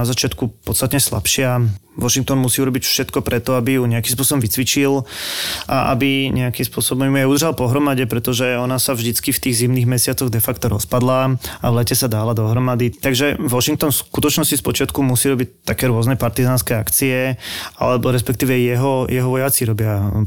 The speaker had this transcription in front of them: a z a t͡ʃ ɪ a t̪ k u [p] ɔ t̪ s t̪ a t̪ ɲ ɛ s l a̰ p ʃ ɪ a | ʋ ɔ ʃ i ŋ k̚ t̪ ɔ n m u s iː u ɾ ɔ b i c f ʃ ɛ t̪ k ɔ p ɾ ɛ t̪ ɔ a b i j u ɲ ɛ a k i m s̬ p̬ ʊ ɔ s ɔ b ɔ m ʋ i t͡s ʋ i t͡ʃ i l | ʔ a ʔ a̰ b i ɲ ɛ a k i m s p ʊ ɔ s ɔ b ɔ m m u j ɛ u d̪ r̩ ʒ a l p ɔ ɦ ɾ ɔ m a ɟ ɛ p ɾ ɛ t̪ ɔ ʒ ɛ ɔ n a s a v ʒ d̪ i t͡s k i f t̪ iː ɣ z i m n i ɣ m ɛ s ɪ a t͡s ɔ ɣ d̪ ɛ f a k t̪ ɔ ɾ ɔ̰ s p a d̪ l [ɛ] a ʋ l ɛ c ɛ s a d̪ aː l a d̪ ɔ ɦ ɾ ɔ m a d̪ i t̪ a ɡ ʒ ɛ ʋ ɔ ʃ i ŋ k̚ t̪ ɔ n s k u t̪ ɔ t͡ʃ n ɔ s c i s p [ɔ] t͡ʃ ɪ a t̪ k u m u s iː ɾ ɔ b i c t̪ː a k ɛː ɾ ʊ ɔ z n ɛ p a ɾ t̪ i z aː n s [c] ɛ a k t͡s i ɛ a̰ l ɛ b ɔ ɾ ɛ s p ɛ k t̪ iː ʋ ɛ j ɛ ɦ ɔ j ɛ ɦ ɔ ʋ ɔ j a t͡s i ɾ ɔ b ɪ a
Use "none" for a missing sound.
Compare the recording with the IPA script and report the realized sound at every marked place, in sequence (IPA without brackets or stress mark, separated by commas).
p, a, ɔ, k